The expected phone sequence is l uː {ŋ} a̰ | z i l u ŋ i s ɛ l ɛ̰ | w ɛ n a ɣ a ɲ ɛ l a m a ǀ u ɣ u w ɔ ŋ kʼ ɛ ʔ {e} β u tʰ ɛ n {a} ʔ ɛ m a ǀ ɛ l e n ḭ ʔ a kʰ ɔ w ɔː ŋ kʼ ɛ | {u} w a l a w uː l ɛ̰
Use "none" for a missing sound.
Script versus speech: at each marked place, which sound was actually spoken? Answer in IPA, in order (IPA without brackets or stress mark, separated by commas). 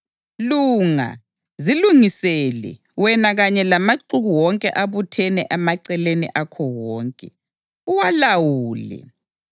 ŋ, a, ɛ, u